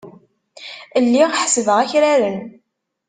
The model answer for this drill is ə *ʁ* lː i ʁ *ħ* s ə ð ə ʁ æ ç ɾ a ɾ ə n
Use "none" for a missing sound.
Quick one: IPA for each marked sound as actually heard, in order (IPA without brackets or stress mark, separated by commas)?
none, ħ